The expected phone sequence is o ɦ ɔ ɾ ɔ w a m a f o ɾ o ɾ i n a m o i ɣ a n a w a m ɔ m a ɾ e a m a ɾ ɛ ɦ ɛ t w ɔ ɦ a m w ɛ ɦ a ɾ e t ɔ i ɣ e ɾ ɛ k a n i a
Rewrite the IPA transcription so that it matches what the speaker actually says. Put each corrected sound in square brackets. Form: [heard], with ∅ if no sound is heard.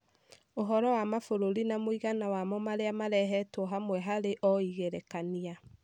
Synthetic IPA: o ɦ ɔ ɾ ɔ w a m a f o ɾ o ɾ i n a m o i ɣ a n a w a m ɔ m a ɾ e a m a ɾ ɛ ɦ ɛ t w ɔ ɦ a m w ɛ ɦ a ɾ e [ʔ] ɔ i ɣ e ɾ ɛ k a n i a